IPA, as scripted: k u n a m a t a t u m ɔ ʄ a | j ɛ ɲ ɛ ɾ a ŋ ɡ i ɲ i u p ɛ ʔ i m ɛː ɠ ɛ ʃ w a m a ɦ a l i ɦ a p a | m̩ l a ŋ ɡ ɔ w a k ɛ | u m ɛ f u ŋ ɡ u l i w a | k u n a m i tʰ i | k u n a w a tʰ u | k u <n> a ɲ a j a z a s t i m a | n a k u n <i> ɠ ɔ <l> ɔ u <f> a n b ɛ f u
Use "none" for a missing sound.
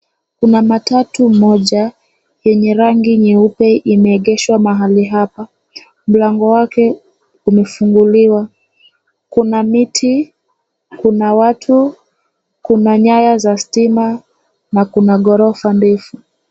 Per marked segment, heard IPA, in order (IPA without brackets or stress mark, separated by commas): n, a, ɾ, f